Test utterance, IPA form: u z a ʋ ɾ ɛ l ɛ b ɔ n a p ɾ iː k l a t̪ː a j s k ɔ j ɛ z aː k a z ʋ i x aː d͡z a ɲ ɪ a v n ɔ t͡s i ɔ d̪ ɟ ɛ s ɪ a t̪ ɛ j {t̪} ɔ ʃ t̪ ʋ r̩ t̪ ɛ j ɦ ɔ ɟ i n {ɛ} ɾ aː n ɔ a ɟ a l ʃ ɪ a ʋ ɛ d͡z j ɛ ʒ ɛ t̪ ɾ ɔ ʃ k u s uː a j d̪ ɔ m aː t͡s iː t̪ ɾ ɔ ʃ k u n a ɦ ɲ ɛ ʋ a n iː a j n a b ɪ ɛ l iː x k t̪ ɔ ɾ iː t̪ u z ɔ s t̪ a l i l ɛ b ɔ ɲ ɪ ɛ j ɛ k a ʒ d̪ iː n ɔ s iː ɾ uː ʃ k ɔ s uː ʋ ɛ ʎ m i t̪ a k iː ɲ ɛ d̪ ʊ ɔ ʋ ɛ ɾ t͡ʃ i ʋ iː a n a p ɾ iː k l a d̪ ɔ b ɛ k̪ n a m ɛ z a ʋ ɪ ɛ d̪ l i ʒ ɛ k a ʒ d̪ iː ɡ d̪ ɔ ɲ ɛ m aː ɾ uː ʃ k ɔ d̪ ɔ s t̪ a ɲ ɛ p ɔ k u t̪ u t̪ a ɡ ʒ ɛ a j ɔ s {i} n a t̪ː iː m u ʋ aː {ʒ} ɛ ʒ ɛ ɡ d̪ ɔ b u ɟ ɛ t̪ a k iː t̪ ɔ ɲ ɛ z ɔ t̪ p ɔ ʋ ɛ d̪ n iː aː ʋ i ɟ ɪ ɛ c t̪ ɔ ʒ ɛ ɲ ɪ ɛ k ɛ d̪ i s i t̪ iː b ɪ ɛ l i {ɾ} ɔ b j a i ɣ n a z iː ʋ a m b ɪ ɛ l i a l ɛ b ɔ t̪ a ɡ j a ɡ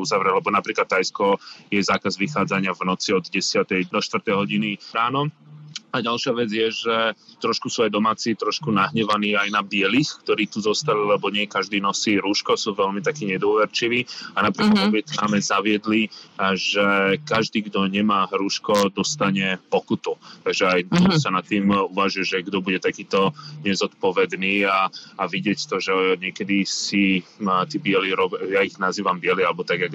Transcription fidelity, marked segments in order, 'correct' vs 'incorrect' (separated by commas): incorrect, incorrect, incorrect, correct, correct